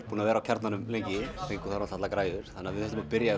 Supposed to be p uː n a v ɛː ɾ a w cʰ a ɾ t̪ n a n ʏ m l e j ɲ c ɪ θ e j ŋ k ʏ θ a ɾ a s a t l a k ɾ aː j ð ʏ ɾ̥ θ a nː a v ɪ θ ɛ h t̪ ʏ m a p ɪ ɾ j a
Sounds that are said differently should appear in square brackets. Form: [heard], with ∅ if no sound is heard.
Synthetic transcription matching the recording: p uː n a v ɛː ɾ a w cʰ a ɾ t̪ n a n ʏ m l e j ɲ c ɪ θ e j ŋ k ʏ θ a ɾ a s a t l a k ɾ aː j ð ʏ ɾ̥ θ a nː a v ɪ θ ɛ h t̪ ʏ m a p ɪ ɾ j a